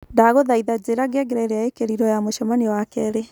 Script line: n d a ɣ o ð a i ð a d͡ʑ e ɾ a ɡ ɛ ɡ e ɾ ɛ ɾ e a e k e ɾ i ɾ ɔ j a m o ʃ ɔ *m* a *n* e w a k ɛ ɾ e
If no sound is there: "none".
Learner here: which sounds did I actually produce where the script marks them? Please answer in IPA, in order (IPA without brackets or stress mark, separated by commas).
m, n